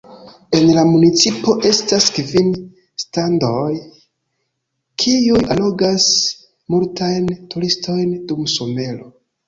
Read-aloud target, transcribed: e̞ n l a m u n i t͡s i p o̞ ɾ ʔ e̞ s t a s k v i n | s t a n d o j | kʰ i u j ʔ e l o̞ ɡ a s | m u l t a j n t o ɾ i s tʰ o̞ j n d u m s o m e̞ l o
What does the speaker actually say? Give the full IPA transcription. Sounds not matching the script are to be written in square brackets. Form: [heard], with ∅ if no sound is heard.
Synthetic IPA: e̞ n l a m u n i t͡s i p o̞ [∅] ʔ e̞ s t a s k v i n | s t a n d o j | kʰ i u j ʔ [a] l o̞ ɡ a s | m u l t a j n t [u] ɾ i s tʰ o̞ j n d u m s o m e̞ l o